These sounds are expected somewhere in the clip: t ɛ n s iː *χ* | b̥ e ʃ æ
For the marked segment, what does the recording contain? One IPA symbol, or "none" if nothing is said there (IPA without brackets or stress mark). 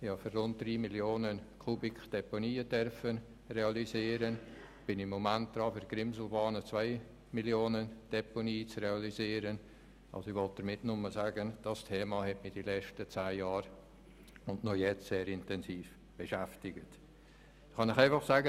f